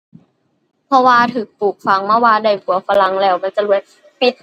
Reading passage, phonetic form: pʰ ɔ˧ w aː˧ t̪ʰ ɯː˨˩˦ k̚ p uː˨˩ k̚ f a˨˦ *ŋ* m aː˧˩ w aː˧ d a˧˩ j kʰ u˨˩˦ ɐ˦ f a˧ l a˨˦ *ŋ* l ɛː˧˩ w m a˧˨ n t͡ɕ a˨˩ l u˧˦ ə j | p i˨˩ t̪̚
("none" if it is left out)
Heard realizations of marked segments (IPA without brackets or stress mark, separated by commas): ŋ, ŋ